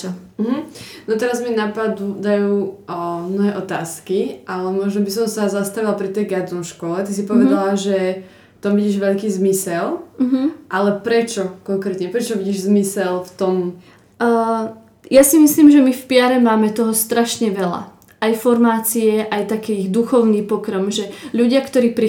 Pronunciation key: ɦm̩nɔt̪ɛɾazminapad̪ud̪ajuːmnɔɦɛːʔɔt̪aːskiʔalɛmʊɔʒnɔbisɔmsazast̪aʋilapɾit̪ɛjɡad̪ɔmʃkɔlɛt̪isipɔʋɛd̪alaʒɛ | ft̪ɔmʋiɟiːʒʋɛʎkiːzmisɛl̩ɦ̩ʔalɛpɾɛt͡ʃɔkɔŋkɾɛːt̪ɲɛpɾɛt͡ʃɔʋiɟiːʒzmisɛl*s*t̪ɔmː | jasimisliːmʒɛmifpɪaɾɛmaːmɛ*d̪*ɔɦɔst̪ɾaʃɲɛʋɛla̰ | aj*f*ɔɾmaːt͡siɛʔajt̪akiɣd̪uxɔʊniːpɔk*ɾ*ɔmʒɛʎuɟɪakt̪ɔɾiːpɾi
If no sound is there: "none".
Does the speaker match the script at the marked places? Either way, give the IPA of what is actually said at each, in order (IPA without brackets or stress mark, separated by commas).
f, t̪, f, ɾ